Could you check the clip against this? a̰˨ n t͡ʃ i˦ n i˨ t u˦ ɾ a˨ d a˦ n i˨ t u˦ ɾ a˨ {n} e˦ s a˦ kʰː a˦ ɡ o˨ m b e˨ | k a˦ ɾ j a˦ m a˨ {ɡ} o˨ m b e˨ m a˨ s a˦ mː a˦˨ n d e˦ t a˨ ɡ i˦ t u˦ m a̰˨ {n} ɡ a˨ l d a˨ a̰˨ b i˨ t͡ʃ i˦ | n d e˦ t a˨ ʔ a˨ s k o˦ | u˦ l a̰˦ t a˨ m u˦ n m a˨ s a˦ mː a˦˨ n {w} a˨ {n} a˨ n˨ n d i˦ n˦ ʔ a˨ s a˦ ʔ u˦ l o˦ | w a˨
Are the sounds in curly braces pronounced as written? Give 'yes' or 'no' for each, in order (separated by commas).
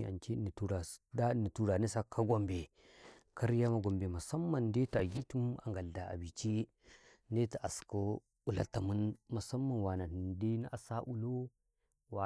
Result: yes, yes, no, yes, yes